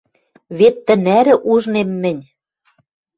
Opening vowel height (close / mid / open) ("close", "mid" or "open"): mid